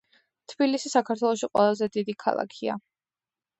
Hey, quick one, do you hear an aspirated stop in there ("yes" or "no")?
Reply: yes